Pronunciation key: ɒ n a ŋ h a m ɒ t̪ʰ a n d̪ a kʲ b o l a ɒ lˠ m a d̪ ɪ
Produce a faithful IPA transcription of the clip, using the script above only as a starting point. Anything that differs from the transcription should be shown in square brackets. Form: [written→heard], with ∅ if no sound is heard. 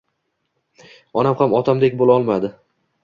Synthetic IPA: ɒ n a [ŋ→m] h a m ɒ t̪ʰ a [n→m] d̪ [a→e] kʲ b o l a ɒ lˠ m a d̪ ɪ